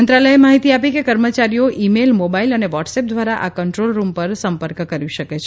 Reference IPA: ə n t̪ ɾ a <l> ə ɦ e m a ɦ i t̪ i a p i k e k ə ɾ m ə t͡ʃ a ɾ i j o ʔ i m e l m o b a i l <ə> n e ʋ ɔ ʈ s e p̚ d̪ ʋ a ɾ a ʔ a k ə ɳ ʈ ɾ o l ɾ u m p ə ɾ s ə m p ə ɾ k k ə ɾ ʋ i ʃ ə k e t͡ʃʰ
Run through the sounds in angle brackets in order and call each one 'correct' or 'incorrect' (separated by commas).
correct, correct